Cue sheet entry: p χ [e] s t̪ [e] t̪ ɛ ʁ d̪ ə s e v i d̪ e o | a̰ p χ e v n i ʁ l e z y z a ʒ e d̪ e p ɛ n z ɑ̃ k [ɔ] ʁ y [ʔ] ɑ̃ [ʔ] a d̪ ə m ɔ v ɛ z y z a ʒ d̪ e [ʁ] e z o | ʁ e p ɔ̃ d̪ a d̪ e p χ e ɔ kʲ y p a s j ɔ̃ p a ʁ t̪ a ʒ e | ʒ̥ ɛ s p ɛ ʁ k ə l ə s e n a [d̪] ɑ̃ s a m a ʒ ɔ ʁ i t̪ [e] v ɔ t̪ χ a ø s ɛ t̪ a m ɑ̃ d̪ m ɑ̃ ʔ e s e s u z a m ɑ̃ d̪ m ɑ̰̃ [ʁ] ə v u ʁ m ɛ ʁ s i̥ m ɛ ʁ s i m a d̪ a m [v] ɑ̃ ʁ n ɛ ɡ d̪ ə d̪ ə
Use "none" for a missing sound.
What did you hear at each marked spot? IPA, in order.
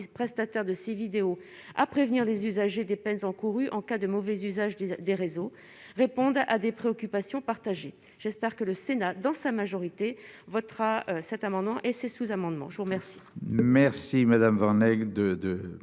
ɛ, a, u, ʔ, k, ʁ, d̪, e, ʒ, v

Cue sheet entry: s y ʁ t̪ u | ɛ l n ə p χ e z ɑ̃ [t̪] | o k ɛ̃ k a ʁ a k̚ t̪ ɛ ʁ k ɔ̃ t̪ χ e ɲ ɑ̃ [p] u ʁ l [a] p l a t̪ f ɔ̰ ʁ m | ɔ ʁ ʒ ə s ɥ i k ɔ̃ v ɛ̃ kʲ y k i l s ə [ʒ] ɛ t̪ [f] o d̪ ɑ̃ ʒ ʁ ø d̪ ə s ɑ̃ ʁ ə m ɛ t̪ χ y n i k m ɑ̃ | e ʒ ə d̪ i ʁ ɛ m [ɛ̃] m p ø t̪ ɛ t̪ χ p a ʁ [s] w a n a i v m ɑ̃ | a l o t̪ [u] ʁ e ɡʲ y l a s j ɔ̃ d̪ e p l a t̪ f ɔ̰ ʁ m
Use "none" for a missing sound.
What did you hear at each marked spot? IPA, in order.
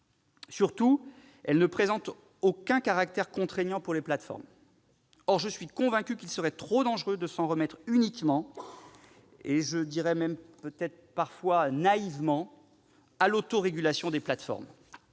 t̪, p, e, ʁ, χ, ɛ, f, o

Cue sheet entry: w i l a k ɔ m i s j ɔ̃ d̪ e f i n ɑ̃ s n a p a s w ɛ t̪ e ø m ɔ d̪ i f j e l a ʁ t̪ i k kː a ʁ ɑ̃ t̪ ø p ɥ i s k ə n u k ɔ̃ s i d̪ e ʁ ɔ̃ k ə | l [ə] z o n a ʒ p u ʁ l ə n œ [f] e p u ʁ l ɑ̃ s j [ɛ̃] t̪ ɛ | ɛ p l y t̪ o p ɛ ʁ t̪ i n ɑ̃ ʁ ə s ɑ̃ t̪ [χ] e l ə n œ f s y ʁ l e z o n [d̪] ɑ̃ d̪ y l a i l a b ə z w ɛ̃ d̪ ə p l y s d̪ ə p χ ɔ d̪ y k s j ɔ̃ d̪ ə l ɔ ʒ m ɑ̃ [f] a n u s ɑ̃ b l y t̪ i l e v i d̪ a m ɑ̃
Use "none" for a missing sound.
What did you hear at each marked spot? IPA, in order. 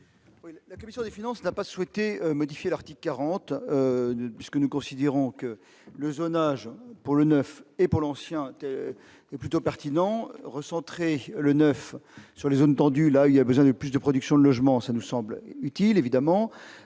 ə, f, ɛ̃, χ, t̪, s

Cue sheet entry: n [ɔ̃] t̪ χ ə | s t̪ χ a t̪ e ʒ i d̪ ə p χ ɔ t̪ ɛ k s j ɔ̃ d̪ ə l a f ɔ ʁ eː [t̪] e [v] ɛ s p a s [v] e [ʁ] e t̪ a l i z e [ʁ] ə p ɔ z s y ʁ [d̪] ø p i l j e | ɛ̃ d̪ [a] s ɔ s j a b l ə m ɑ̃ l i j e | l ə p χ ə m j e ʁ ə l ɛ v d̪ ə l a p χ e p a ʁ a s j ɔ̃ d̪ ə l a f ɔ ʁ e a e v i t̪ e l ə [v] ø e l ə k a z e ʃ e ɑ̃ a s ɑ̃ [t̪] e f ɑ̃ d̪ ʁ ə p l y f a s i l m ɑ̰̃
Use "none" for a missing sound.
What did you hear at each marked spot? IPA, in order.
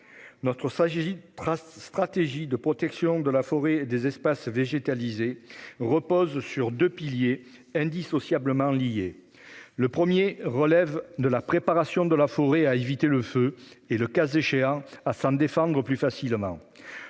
ɔ, d̪, z, v, ʒ, ʁ, d̪, i, f, d̪

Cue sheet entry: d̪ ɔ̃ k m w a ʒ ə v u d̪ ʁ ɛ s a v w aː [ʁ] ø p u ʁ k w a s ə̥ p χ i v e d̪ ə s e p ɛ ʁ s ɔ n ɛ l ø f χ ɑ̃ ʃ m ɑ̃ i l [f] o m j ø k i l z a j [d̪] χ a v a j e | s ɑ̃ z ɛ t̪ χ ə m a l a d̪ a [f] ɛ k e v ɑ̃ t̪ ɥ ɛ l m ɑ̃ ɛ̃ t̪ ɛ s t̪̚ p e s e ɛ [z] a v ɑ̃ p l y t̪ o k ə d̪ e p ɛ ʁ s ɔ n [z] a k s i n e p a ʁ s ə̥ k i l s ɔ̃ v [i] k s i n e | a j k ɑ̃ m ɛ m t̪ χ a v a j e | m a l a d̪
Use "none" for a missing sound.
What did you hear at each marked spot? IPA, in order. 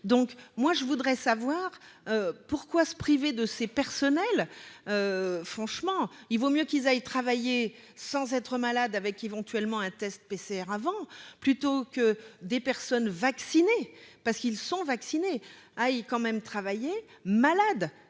ʁ, v, t̪, v, ʁ, v, a

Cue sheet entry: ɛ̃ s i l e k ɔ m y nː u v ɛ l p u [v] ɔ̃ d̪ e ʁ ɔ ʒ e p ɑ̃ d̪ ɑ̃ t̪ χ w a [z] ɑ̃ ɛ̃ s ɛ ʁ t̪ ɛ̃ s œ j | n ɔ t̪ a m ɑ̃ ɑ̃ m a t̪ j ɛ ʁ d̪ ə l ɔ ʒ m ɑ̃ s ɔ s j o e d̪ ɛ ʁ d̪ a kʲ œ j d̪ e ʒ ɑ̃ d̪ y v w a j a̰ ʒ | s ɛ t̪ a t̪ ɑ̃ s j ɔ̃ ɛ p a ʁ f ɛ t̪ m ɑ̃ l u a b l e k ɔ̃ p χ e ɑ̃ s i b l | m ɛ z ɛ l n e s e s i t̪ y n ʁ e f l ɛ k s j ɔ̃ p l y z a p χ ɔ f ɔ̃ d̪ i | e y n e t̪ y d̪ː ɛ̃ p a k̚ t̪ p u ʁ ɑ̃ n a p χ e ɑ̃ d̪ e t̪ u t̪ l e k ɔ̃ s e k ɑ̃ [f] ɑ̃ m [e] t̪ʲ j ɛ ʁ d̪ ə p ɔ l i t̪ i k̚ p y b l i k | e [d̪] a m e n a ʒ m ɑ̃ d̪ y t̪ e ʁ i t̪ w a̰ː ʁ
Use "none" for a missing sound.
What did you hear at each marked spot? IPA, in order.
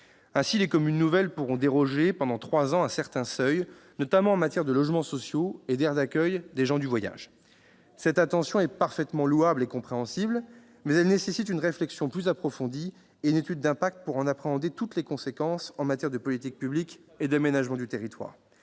ʁ, z, s, a, d̪

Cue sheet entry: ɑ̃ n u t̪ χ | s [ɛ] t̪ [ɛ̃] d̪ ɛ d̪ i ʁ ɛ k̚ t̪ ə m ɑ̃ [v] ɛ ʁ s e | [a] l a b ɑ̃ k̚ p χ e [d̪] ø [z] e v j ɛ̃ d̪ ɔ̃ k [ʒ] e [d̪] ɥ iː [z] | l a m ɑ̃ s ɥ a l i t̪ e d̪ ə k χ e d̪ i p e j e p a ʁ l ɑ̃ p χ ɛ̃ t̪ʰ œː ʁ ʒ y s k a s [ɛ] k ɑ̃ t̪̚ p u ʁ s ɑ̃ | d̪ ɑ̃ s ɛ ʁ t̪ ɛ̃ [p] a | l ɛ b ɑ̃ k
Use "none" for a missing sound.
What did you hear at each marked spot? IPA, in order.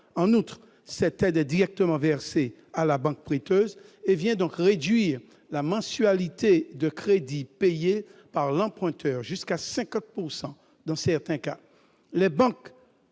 ɛ, ɛ, v, a, t̪, z, ʁ, d̪, ʁ, ɛ̃, k

